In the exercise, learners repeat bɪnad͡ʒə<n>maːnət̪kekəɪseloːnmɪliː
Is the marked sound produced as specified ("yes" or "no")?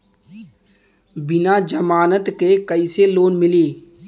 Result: no